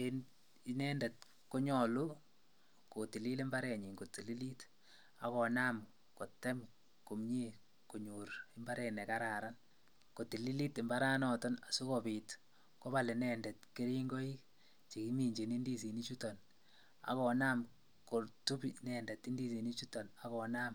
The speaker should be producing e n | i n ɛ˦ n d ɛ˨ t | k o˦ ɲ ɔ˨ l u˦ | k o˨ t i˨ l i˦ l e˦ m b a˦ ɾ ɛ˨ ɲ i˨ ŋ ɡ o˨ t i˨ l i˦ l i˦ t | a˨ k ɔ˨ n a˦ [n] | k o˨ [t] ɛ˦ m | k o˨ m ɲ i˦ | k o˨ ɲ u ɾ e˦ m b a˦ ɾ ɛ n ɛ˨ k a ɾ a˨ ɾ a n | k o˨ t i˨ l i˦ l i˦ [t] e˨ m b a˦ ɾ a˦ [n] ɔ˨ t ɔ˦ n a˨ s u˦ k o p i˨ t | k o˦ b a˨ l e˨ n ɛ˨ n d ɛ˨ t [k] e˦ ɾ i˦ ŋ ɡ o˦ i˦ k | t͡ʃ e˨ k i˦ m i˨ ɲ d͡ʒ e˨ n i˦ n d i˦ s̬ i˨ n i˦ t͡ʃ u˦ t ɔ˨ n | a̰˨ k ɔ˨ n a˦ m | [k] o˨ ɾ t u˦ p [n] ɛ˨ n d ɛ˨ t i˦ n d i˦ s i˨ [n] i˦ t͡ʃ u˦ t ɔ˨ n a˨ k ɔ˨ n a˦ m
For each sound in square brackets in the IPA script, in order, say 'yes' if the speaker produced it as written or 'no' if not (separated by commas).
no, yes, yes, yes, yes, yes, yes, yes